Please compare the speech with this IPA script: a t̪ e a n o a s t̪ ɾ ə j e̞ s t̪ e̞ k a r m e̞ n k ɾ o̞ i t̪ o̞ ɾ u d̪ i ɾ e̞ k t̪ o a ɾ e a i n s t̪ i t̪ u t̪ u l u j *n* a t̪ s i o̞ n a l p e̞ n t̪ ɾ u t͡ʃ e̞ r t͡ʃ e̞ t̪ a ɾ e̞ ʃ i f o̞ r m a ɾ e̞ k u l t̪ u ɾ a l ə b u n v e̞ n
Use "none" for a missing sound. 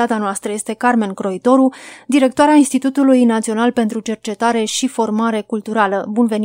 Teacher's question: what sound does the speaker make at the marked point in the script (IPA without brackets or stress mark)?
n